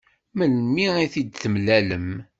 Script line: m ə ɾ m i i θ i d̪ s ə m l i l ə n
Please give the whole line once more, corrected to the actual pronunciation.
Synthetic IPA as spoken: m ə l m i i θ i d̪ θ ə m l æ l ə m